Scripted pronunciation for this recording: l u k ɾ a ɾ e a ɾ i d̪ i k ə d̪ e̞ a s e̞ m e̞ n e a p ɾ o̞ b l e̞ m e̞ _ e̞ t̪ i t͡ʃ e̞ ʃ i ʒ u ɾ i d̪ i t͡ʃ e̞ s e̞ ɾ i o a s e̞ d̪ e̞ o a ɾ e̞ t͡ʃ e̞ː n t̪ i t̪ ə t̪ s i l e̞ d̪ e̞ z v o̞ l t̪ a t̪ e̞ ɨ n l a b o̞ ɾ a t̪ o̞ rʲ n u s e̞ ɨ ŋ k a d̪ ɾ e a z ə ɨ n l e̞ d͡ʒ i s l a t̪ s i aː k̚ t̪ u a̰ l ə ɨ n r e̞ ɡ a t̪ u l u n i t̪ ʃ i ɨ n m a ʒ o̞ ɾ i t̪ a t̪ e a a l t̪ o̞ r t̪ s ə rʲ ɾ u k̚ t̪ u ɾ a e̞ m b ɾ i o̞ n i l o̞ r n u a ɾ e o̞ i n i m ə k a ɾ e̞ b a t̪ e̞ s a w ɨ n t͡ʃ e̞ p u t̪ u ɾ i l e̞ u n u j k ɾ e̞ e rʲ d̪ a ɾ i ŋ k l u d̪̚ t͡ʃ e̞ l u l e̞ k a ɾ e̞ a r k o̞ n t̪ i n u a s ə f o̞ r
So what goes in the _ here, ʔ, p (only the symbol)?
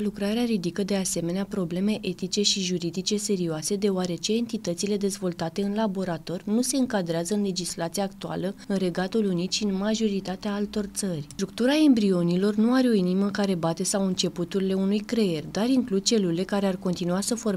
ʔ